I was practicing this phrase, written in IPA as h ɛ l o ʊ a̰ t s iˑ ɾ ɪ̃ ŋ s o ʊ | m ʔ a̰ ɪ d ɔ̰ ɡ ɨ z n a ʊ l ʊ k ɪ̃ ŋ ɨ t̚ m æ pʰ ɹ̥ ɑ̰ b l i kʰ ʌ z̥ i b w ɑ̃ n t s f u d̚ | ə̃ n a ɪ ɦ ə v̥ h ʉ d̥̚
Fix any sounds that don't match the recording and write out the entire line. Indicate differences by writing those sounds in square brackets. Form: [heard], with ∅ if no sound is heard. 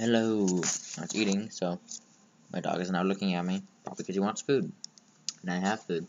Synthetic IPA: h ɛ l o ʊ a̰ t s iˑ ɾ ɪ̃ ŋ s o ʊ | m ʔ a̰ ɪ d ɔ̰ ɡ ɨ z n a ʊ l ʊ k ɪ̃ ŋ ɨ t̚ m [i] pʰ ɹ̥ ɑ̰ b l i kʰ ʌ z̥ i [∅] w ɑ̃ n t s f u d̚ | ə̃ n a ɪ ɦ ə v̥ [f] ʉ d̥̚